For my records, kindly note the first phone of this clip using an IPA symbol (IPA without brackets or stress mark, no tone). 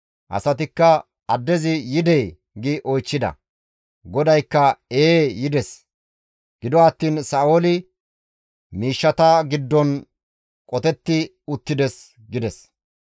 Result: ʔ